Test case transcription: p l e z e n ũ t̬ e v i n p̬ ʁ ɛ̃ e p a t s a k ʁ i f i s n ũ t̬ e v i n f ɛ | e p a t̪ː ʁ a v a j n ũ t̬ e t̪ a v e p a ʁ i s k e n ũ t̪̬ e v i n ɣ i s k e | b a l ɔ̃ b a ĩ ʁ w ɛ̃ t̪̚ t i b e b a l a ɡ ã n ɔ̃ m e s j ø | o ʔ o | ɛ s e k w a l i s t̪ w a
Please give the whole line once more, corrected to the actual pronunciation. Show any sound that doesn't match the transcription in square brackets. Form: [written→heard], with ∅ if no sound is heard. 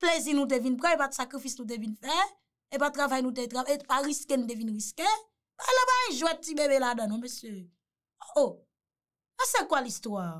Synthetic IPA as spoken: p l e z [e→i] n ũ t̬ e v i n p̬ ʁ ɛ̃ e p a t s a k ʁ i f i s n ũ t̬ e v i n f ɛ | e p a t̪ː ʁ a v a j n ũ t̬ e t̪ a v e p a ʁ i s k e n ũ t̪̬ e v i n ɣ i s k e | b a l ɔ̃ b a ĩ [ʁ→ʒ] w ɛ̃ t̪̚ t i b e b [a→e] l a [ɡ→d] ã n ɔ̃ m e s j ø | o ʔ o | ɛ s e k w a l i s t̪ w a